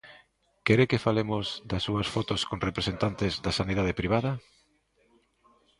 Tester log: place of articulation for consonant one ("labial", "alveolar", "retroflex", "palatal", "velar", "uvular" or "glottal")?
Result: velar